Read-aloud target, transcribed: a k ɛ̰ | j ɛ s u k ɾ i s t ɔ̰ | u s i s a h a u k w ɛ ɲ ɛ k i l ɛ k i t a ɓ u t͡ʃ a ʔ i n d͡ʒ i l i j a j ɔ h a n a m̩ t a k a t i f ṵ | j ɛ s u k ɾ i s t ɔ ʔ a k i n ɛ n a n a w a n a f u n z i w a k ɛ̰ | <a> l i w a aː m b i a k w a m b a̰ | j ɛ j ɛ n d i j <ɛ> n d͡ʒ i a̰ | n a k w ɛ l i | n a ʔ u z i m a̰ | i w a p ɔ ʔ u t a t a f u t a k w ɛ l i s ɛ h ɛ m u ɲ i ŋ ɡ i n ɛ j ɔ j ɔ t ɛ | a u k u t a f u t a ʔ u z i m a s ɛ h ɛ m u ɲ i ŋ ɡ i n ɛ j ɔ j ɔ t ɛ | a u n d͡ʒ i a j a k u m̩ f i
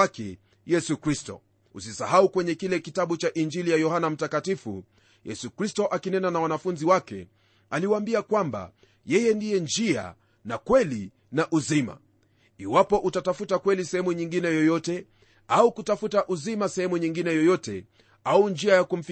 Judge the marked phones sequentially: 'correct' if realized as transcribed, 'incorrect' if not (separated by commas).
correct, correct